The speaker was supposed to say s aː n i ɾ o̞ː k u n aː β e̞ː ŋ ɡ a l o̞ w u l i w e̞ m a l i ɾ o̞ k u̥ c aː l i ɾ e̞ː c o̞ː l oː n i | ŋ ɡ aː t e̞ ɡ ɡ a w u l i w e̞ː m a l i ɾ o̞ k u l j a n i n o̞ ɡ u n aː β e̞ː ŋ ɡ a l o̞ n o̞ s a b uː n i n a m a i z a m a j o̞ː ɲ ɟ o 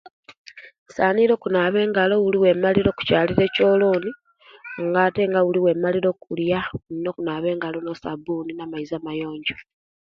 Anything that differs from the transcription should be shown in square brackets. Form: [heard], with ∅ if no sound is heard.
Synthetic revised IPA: s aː n i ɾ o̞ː k u n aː β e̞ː ŋ ɡ a l o̞ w u l i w e̞ m a l i ɾ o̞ k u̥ c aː l i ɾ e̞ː c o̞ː l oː n i | ŋ ɡ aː t e̞ [ŋ] ɡ a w u l i w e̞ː m a l i ɾ o̞ k u l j a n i n o̞ [k] u n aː β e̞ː ŋ ɡ a l o̞ n o̞ s a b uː n i n a m a i z a m a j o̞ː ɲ ɟ o